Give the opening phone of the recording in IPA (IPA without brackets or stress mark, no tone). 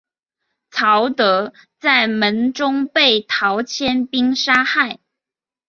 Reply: t͡sʰ